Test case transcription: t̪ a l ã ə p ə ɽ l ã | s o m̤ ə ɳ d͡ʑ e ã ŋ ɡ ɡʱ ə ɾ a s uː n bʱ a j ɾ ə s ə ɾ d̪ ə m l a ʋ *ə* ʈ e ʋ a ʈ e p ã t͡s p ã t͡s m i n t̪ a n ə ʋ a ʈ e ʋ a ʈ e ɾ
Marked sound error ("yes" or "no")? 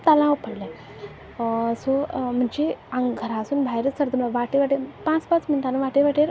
yes